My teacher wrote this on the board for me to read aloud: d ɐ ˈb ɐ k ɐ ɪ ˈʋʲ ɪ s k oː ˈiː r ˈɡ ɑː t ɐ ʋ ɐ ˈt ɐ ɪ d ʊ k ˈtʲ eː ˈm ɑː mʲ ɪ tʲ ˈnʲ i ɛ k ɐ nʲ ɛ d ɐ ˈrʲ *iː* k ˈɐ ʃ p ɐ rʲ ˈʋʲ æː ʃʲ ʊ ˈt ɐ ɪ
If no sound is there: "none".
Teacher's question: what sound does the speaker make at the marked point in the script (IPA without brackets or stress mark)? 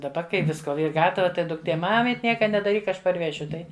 iː